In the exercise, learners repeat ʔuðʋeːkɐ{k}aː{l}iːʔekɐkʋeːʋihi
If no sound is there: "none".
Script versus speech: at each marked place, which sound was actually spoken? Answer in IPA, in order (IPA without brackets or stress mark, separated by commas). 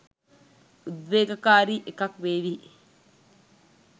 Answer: k, ɾ